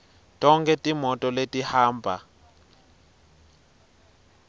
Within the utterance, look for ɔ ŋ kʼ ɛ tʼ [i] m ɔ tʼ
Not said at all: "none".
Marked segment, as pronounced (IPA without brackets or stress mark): i